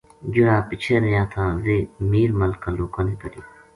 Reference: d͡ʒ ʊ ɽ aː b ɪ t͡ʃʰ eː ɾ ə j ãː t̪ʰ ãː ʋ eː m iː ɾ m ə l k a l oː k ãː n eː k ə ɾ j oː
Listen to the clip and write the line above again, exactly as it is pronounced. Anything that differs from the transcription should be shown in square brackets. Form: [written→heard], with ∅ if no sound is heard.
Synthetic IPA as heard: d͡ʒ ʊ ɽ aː [b→p] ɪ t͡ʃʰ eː ɾ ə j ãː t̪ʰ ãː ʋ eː m iː ɾ m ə l k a l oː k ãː n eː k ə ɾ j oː